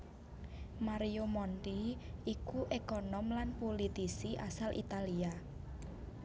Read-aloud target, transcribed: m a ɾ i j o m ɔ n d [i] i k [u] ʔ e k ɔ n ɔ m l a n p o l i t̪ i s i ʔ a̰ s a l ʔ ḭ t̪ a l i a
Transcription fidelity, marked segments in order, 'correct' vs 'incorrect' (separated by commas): correct, correct